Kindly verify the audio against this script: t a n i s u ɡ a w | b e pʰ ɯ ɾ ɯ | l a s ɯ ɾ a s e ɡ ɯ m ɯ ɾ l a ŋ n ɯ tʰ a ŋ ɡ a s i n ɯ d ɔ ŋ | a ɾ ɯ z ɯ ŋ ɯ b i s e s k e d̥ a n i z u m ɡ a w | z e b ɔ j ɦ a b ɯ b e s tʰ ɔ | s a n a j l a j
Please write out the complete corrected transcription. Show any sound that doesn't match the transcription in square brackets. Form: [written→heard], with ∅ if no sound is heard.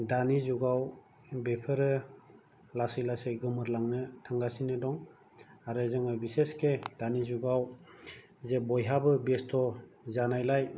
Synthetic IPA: [t→d] a n i [s→z] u ɡ a w | b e pʰ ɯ ɾ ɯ | l a s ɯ [ɾ→l] a s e ɡ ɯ m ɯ ɾ l a ŋ n ɯ tʰ a ŋ ɡ a s i n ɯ d ɔ ŋ | a ɾ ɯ z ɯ ŋ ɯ b i s e s k e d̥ a n i z u [m→∅] ɡ a w | z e b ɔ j ɦ a b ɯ b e s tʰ ɔ | [s→z] a n a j l a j